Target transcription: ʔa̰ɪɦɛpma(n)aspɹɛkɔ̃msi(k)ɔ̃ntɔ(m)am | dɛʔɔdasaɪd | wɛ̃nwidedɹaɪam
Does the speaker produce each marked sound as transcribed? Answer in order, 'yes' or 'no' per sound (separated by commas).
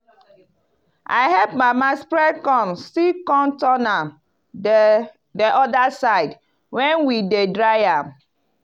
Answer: no, yes, no